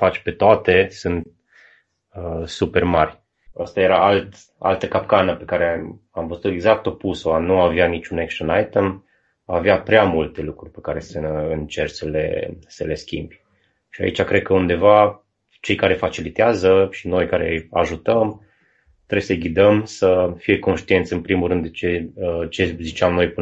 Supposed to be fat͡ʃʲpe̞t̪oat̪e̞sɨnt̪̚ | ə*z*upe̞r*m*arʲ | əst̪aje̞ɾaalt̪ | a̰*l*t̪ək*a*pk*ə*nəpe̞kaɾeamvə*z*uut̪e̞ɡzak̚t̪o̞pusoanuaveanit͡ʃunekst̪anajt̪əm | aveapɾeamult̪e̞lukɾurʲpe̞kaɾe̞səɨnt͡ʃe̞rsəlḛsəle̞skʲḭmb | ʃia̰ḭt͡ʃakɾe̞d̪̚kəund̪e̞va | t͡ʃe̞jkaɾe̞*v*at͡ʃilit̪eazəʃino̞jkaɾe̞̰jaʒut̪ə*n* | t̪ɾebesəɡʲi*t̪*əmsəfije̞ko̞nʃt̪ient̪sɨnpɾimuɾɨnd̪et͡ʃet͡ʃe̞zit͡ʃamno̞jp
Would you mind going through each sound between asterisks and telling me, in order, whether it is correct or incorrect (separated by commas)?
incorrect, correct, correct, correct, incorrect, correct, incorrect, incorrect, incorrect